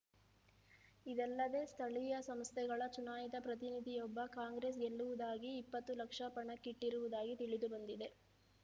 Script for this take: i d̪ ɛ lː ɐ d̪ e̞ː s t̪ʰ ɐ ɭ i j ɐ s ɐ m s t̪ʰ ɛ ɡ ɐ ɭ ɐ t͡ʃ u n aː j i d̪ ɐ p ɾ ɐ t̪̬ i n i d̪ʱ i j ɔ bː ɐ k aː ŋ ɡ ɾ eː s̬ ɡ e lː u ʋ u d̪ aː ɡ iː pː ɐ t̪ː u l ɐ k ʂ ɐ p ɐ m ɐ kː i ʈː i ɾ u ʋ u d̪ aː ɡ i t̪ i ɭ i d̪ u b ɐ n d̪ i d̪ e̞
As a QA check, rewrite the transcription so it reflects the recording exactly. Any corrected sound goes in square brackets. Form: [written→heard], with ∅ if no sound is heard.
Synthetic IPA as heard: i d̪ ɛ lː ɐ d̪ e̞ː s t̪ʰ ɐ ɭ i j ɐ s ɐ m s t̪ʰ ɛ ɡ ɐ ɭ ɐ t͡ʃ u n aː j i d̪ ɐ p ɾ ɐ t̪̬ i n i d̪ʱ i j ɔ bː ɐ k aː ŋ ɡ ɾ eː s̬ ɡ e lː u ʋ u d̪ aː ɡ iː pː ɐ t̪ː u l ɐ k ʂ ɐ p ɐ [m→ɳ] ɐ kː i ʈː i ɾ u ʋ u d̪ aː ɡ i t̪ i ɭ i d̪ u b ɐ n d̪ i d̪ e̞

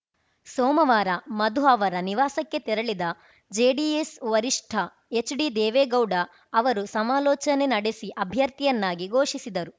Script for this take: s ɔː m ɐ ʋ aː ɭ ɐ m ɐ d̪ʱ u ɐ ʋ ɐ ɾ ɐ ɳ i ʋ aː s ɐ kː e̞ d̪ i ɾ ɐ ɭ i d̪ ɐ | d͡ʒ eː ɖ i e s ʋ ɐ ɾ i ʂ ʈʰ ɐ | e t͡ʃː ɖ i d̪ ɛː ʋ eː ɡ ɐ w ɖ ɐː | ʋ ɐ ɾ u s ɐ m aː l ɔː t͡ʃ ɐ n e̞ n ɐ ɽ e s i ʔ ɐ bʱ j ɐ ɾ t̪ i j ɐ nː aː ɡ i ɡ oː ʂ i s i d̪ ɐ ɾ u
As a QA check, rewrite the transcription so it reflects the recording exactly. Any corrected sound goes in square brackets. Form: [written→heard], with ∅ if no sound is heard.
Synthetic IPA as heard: s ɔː m ɐ ʋ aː [ɭ→ɾ] ɐ m ɐ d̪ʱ u ɐ ʋ ɐ ɾ ɐ [ɳ→n] i ʋ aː s ɐ kː e̞ [d̪→t̪] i ɾ ɐ ɭ i d̪ ɐ | d͡ʒ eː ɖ i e s ʋ ɐ ɾ i ʂ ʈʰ ɐ | e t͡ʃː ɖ i d̪ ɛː ʋ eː ɡ ɐ w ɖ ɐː | ʋ ɐ ɾ u s ɐ m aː l ɔː t͡ʃ ɐ n e̞ n ɐ ɽ e s i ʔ ɐ bʱ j ɐ ɾ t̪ i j ɐ nː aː ɡ i ɡ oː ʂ i s i d̪ ɐ ɾ u

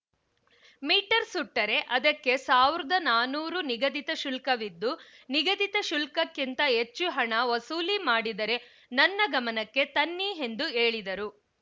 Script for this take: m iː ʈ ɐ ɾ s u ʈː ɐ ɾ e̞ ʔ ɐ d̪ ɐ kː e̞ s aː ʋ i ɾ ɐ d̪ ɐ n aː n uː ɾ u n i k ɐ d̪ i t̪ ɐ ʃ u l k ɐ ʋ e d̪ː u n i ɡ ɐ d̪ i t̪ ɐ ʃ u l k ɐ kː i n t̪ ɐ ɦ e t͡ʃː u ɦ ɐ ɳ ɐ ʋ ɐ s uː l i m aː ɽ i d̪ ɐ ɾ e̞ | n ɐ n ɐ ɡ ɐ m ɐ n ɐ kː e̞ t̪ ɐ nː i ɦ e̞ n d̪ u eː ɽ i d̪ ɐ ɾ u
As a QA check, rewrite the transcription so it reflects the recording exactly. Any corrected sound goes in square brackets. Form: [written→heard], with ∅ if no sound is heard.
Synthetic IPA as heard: m iː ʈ ɐ ɾ s u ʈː ɐ ɾ e̞ ʔ ɐ d̪ ɐ kː e̞ s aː ʋ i ɾ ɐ d̪ ɐ n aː n uː ɾ u n i [k→ɡ] ɐ d̪ i t̪ ɐ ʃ u l k ɐ ʋ [e→i] d̪ː u n i ɡ ɐ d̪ i t̪ ɐ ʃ u l k ɐ kː i n t̪ ɐ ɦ e t͡ʃː u ɦ ɐ ɳ ɐ ʋ ɐ s uː l i m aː ɽ i d̪ ɐ ɾ e̞ | n ɐ [n→nː] ɐ ɡ ɐ m ɐ n ɐ kː e̞ t̪ ɐ nː i ɦ e̞ n d̪ u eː [ɽ→ɭ] i d̪ ɐ ɾ u

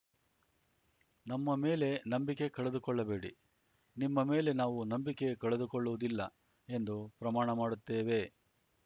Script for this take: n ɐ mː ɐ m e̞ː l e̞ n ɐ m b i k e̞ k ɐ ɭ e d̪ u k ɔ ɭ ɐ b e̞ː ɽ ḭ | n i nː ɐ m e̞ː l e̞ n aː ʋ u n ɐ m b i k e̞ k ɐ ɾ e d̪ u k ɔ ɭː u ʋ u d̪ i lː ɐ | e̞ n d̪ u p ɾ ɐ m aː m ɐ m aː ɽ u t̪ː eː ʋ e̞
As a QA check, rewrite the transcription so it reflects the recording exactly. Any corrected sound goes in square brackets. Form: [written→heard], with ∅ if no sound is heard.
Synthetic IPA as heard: n ɐ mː ɐ m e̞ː l e̞ n ɐ m b i k e̞ k ɐ ɭ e d̪ u k ɔ [ɭ→ɭː] ɐ b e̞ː ɽ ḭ | n i [nː→mː] ɐ m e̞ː l e̞ n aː ʋ u n ɐ m b i k e̞ k ɐ [ɾ→ɭ] e d̪ u k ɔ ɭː u ʋ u d̪ i lː ɐ | e̞ n d̪ u p ɾ ɐ m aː [m→ɳ] ɐ m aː ɽ u t̪ː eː ʋ e̞

